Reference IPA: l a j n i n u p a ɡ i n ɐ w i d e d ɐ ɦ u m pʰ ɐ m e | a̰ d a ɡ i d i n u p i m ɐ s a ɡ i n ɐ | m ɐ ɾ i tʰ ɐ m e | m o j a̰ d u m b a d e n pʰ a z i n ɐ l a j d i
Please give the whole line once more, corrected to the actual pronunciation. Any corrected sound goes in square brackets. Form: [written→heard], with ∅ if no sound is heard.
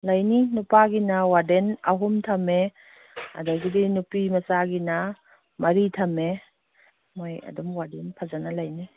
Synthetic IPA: l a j n i n u p a ɡ i n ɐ w [i→a] d e [d→n] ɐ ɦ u m [pʰ→tʰ] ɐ m e | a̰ d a ɡ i d i n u p i m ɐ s a ɡ i n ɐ | m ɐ ɾ i tʰ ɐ m e | m o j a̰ d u m [b→w] a d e n pʰ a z [i→a] n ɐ l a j [d→n] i